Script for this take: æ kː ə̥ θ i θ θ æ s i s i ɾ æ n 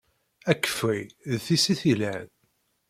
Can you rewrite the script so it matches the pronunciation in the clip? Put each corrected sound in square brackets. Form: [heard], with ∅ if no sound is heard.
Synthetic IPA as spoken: æ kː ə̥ [f] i [ð] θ [i] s i [θ] i [l] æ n